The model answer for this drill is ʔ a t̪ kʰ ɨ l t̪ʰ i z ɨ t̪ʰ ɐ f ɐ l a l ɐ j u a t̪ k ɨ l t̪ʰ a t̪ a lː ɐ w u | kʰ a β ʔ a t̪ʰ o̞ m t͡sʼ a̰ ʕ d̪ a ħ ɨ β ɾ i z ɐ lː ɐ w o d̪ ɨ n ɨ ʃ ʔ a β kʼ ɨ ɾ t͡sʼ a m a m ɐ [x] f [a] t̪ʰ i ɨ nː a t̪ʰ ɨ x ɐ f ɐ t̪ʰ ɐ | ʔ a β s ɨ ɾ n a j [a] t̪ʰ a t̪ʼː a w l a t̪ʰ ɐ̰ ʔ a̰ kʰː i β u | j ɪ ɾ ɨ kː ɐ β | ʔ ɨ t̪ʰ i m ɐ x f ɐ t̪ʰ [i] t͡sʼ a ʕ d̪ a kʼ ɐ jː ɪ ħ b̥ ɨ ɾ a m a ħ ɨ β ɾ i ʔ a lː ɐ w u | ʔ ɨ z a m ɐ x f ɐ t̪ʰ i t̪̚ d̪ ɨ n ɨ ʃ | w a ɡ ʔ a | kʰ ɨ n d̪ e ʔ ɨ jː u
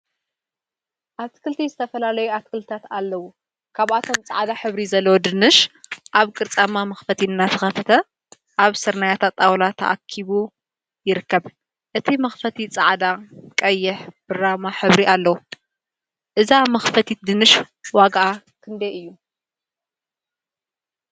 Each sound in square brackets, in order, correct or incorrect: correct, incorrect: ɐ, correct, correct

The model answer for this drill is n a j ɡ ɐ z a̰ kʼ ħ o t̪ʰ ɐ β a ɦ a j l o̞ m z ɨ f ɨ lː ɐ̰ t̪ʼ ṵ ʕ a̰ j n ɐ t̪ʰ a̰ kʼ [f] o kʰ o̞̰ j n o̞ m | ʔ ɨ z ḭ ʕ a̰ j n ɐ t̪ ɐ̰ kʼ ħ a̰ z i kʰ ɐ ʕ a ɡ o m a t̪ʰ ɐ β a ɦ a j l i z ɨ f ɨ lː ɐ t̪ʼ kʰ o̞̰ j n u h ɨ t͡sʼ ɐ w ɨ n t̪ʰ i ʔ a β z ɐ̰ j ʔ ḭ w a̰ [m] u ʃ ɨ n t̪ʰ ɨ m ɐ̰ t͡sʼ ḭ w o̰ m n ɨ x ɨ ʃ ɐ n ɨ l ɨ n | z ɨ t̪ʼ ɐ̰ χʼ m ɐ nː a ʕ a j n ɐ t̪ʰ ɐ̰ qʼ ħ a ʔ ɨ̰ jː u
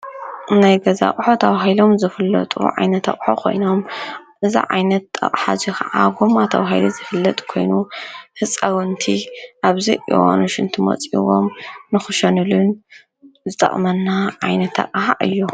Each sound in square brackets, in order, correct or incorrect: incorrect: ħ, incorrect: n

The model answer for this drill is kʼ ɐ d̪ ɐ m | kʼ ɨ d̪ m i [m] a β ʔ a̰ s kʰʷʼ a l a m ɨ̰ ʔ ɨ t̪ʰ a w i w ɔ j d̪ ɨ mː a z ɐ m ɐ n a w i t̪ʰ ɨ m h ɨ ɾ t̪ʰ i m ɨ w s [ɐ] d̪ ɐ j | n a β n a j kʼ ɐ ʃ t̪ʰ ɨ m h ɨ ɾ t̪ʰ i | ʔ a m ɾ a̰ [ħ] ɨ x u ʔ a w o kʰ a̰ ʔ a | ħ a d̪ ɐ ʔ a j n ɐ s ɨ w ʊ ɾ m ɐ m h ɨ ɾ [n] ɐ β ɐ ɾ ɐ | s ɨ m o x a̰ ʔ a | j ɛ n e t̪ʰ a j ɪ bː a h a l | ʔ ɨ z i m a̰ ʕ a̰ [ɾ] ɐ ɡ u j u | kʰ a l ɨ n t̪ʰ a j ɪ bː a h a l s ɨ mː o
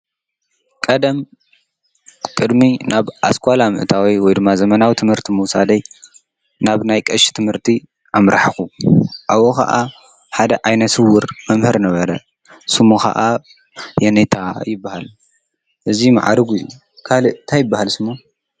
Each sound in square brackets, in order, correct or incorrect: incorrect: n, incorrect: a, correct, correct, correct

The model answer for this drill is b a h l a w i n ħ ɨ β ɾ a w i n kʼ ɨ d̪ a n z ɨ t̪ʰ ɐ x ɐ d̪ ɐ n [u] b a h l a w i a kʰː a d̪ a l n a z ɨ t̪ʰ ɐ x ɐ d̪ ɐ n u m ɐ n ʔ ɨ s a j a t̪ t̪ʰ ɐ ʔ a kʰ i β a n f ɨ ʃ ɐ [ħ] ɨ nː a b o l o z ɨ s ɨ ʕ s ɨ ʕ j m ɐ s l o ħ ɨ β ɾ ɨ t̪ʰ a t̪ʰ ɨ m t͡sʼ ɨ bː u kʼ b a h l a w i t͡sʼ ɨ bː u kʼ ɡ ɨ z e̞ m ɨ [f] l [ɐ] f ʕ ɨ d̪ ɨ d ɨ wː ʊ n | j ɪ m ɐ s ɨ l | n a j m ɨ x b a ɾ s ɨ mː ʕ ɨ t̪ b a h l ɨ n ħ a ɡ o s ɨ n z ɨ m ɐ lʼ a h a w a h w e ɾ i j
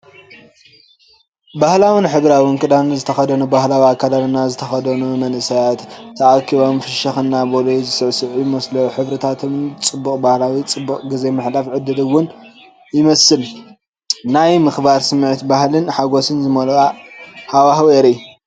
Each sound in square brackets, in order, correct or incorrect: correct, incorrect: x, incorrect: ħ, incorrect: a

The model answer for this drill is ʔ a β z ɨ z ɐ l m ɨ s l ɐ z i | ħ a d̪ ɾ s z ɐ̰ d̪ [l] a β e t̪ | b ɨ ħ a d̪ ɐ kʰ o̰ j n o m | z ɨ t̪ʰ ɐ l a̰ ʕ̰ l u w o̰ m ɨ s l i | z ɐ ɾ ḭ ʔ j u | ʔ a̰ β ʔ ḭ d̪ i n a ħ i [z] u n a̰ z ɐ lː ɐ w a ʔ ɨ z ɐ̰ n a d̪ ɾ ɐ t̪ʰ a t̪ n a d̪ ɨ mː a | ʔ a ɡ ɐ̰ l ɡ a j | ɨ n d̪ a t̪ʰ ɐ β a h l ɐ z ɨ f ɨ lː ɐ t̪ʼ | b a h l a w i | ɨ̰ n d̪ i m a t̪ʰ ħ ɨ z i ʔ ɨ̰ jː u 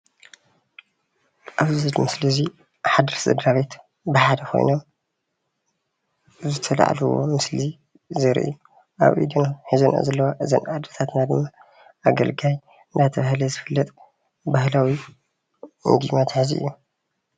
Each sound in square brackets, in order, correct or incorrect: incorrect: ɾ, correct

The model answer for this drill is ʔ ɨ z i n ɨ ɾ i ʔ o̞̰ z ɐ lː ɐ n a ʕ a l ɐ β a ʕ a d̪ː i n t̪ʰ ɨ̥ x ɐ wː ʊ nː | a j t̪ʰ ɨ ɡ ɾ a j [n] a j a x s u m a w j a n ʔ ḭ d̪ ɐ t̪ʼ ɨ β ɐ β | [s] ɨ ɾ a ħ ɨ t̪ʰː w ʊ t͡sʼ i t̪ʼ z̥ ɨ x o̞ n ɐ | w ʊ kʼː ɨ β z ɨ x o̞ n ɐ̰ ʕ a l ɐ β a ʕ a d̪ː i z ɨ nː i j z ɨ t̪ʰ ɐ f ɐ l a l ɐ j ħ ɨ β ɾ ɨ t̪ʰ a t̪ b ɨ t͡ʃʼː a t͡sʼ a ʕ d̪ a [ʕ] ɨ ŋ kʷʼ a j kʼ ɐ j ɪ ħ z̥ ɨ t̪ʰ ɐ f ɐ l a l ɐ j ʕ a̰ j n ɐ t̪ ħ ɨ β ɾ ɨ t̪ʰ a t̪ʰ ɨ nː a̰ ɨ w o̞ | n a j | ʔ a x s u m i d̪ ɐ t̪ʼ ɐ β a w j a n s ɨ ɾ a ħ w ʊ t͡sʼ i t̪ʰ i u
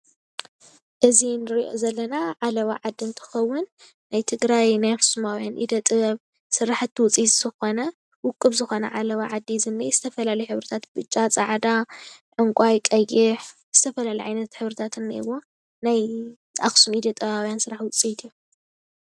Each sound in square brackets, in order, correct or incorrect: correct, correct, correct

